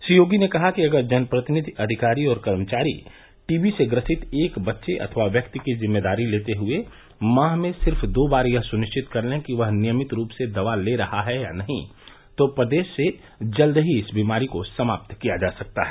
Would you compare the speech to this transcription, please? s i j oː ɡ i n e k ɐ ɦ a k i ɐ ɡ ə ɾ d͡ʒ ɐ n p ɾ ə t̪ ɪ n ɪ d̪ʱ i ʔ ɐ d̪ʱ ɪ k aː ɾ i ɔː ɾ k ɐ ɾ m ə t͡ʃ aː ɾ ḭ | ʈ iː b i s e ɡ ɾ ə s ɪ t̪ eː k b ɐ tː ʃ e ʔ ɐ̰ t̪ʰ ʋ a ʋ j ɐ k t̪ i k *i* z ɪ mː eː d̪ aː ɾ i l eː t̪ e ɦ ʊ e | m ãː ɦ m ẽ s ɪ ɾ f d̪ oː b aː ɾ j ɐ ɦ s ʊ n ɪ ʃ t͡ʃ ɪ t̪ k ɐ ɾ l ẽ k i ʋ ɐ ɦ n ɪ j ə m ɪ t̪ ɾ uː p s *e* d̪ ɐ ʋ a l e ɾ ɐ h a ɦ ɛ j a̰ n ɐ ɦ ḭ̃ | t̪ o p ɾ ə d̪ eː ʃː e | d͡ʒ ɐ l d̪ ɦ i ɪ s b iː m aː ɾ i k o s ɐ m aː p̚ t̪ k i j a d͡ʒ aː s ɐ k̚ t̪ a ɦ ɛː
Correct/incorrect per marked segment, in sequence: correct, correct

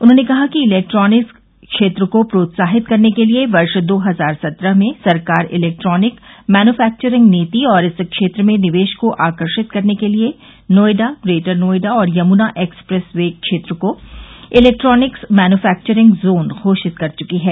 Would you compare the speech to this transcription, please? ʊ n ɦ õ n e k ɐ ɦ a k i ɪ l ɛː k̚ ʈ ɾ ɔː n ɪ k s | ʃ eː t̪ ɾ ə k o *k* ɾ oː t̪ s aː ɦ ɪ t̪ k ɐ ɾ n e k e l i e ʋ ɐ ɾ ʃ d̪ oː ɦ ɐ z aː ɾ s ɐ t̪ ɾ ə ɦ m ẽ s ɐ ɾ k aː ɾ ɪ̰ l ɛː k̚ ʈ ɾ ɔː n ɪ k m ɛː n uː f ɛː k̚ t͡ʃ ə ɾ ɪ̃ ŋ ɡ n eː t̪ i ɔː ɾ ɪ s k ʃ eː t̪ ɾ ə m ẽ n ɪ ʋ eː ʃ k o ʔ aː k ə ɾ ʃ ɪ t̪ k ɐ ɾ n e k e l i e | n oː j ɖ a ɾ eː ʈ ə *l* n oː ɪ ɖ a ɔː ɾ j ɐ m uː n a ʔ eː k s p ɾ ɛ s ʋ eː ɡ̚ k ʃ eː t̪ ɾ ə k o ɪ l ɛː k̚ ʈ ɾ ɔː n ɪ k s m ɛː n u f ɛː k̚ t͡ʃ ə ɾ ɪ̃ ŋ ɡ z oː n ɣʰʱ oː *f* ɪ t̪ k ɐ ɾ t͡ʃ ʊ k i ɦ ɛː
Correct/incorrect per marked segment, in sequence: incorrect: p, incorrect: ɾ, incorrect: ʃ

